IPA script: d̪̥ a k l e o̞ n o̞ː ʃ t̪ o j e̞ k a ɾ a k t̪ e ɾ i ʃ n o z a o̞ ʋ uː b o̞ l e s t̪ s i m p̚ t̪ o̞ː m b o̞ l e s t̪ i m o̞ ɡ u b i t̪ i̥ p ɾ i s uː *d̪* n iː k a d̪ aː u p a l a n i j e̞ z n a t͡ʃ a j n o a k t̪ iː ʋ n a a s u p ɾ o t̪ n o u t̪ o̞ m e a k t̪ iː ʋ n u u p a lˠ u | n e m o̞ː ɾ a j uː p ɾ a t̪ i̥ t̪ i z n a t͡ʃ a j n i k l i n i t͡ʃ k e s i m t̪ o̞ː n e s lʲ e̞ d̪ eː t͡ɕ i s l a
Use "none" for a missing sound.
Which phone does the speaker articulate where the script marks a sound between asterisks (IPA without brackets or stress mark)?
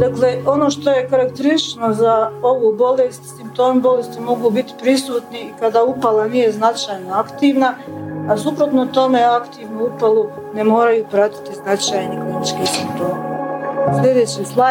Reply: t̪